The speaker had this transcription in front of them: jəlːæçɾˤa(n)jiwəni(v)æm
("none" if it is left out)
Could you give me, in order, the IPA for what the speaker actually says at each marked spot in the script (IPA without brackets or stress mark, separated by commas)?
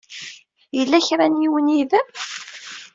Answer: n, ð